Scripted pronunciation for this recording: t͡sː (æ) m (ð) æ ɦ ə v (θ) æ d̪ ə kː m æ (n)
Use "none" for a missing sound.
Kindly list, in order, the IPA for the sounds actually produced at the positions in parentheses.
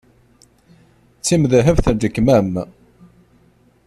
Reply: i, ð, θ, m

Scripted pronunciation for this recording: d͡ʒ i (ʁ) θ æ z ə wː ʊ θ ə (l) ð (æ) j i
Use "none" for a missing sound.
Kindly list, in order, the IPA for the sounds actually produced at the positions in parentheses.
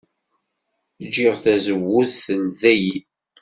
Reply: ʁ, l, æ

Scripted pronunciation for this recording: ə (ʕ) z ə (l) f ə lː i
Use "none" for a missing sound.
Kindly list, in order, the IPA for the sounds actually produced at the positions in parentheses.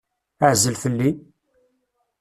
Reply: ʕ, l

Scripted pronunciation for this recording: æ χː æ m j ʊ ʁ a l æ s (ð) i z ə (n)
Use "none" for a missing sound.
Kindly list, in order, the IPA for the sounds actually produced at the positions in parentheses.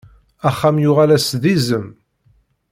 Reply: ð, m

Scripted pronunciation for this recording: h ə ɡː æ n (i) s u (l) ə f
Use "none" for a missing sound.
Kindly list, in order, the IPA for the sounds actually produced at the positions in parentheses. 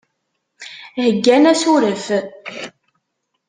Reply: æ, ɾ

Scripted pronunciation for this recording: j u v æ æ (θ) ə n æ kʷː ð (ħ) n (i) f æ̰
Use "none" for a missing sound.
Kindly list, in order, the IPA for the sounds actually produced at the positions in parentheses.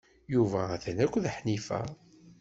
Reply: θ, ħ, i

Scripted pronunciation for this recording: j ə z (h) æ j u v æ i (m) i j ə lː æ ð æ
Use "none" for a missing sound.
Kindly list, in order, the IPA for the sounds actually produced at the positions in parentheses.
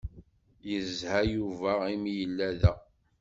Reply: h, m

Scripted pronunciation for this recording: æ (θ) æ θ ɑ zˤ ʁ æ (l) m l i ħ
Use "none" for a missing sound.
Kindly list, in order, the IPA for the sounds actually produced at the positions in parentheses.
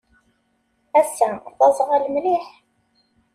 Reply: s, l

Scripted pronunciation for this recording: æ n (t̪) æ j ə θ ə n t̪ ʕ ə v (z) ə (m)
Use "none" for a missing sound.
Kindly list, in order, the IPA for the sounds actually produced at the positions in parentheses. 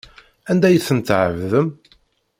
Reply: d̪, ð, m

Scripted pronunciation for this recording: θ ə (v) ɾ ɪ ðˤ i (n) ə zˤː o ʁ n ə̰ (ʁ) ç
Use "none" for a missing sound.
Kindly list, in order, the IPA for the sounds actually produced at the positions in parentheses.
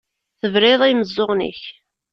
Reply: v, m, none

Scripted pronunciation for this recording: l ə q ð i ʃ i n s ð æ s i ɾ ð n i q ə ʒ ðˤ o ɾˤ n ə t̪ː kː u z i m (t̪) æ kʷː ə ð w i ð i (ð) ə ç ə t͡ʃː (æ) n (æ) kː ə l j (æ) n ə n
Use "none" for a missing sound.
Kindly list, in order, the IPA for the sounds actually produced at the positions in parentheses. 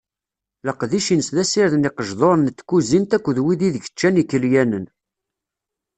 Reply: t̪, ð, æ, i, æ

